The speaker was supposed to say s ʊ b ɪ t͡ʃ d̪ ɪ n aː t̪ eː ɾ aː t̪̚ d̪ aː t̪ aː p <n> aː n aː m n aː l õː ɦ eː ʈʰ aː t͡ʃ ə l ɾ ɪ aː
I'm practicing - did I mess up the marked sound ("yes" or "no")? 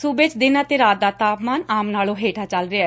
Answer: yes